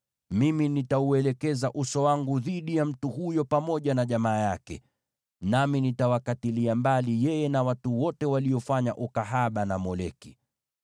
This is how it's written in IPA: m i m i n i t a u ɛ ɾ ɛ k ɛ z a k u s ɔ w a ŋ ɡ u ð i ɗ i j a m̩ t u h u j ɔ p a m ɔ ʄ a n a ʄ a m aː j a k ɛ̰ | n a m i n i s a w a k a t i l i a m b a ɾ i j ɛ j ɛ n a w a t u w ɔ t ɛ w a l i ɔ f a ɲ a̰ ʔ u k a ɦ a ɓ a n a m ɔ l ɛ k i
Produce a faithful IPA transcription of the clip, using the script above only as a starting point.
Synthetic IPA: m i m i n i t a u ɛ l ɛ k ɛ z a ʔ u s ɔ w a ŋ ɡ u ð i ɗ i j a m̩ t u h u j ɔ p a m ɔ ʄ a n a ʄ a m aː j a k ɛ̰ | n a m i n i t a w a k a t i l i a m b a l i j ɛ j ɛ n a w a t u w ɔ t ɛ w a l i ɔ f a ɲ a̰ ʔ u k a ɦ a ɓ a n a m ɔ l ɛ k i